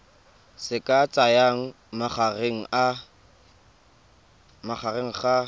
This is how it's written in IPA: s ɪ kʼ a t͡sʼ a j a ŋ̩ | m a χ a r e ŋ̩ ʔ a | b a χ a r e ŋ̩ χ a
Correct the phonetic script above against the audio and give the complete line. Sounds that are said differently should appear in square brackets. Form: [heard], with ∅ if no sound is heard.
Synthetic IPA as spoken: s ɪ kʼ a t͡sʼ a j a ŋ̩ | m a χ a r e ŋ̩ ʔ a | [m] a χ a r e ŋ̩ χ a